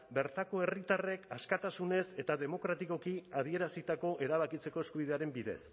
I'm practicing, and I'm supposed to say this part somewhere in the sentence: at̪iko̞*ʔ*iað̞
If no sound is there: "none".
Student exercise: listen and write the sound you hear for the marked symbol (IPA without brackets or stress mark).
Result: k